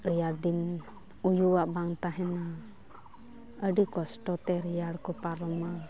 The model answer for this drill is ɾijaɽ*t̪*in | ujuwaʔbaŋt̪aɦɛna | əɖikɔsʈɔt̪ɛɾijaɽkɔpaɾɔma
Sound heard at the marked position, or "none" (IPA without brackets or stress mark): d̪